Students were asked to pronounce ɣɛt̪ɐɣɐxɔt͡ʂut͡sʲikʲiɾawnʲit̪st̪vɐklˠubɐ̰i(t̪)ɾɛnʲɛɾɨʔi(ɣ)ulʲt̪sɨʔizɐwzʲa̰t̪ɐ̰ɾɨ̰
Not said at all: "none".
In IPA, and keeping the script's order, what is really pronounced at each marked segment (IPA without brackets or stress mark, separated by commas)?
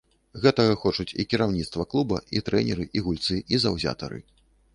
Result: t̪, ɣ